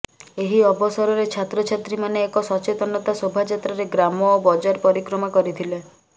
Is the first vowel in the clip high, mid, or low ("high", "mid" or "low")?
mid